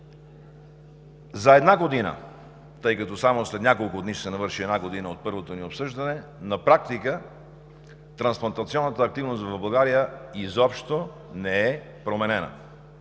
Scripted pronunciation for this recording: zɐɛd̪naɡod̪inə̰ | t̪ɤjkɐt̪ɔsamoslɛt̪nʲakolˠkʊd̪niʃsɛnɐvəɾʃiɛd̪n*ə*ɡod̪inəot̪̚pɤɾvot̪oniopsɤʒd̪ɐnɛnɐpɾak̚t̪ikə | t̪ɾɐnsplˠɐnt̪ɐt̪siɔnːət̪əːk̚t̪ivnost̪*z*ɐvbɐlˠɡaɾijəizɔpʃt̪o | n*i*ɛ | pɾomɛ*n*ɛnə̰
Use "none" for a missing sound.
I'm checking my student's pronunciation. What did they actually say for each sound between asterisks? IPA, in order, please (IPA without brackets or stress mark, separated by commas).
a, v, ɛ, n